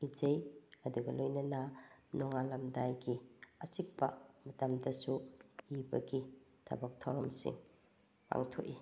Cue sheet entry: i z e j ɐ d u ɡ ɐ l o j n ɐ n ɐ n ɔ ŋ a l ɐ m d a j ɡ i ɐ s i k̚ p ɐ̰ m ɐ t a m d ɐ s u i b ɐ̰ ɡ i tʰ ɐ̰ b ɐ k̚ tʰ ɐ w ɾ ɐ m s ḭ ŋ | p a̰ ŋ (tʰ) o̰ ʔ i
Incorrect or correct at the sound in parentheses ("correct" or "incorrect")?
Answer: correct